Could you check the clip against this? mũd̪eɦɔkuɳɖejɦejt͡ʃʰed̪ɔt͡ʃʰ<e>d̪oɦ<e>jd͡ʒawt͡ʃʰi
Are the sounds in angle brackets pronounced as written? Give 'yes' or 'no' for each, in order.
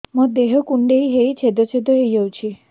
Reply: yes, yes

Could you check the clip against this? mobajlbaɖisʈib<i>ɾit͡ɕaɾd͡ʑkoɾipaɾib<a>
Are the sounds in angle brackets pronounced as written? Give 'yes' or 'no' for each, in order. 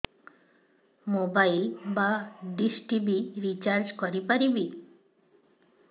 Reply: yes, no

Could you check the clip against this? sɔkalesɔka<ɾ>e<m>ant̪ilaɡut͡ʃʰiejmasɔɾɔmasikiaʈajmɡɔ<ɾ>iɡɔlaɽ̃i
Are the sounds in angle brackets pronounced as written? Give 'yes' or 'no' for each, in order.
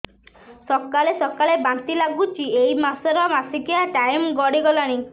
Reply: no, no, no

